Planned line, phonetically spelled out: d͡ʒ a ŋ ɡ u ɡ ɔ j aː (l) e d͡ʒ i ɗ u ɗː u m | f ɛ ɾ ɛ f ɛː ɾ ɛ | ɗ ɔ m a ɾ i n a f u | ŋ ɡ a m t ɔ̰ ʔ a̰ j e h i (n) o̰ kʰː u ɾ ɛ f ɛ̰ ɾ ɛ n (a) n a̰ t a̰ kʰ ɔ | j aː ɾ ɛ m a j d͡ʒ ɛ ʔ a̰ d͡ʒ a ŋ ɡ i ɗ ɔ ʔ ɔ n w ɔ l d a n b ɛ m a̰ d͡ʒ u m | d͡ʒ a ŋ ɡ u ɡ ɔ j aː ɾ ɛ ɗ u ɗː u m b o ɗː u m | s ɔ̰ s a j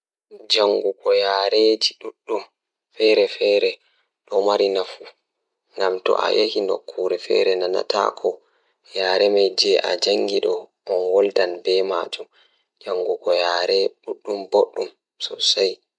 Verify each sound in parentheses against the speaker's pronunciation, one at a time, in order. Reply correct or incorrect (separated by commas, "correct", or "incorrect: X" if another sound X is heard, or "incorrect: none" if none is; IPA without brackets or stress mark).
incorrect: ɾ, correct, correct